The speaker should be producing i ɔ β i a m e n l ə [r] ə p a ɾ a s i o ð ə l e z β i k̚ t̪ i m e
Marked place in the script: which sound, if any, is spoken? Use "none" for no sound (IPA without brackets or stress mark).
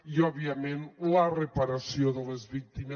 r